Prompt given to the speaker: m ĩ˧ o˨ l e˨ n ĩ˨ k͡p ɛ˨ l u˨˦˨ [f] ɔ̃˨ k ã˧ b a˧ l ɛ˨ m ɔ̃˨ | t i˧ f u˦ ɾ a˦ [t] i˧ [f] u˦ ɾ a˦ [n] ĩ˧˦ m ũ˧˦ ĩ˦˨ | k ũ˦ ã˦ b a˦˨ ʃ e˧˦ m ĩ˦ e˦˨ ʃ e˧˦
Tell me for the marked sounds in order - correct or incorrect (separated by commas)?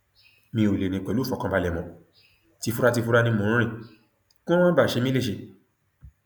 correct, correct, correct, correct